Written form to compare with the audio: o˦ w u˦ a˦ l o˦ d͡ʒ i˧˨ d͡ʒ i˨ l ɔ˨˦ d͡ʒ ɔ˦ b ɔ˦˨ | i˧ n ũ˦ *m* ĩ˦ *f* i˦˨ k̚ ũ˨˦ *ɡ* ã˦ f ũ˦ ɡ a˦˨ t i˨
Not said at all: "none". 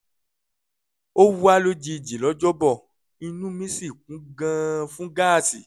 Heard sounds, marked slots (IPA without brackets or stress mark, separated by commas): m, s, ɡ